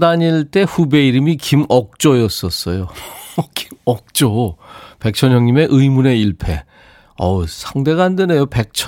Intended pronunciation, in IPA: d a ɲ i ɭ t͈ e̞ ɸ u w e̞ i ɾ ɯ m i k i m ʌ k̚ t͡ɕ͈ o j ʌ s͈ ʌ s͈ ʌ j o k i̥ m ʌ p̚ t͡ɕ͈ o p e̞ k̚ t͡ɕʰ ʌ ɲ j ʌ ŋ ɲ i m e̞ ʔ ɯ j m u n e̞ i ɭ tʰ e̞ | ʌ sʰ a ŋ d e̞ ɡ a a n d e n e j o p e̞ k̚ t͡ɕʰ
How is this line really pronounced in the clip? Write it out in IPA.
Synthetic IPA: d a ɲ i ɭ t͈ e̞ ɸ u b e̞ i ɾ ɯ m i k i m ʌ k̚ t͡ɕ͈ o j ʌ s͈ ʌ s͈ ʌ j o k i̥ m ʌ k̚ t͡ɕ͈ o p e̞ k̚ t͡ɕʰ ʌ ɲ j ʌ ŋ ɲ i m e̞ ʔ ɯ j m u n e̞ i ɭ pʰ e̞ | ʌ sʰ a ŋ d e̞ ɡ a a n d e n e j o p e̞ k̚ t͡ɕʰ